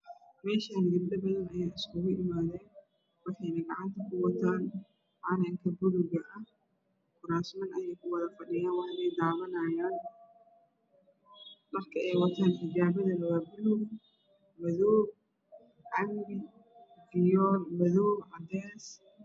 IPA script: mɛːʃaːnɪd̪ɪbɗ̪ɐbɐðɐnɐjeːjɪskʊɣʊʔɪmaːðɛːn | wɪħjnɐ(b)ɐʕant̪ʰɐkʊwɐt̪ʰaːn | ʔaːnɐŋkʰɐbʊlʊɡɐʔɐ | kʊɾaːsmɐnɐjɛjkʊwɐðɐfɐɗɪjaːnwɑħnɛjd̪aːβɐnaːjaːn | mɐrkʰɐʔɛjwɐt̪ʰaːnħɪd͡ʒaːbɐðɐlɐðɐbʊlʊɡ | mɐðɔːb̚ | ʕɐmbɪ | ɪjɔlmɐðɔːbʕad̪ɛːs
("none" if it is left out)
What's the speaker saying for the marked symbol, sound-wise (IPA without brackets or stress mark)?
ɡ